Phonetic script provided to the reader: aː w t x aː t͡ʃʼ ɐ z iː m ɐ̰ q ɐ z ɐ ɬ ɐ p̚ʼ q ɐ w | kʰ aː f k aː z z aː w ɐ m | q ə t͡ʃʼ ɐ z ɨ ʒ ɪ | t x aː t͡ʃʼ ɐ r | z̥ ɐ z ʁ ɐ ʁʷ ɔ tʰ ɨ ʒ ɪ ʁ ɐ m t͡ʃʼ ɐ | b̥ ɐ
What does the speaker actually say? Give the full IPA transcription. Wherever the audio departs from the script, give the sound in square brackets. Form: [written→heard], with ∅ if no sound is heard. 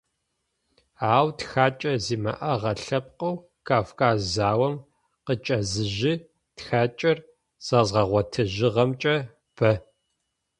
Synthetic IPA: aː w t x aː t͡ʃʼ ɐ z iː m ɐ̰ [q→ʔ] ɐ [z→ʁ] ɐ ɬ ɐ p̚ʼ q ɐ w | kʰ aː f k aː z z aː w ɐ m | q ə t͡ʃʼ ɐ z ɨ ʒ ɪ | t x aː t͡ʃʼ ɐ r | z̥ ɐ z ʁ ɐ ʁʷ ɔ tʰ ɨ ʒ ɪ ʁ ɐ m t͡ʃʼ ɐ | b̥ ɐ